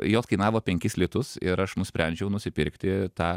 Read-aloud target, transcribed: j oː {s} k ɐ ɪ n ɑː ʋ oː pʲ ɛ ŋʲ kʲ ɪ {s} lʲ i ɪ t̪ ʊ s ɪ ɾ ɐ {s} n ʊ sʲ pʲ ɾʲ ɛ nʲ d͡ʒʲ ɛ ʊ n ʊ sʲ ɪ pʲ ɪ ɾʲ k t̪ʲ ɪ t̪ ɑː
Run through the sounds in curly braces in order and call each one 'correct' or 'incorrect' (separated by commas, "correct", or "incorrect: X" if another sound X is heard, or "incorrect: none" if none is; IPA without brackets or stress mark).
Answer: correct, correct, incorrect: ʃ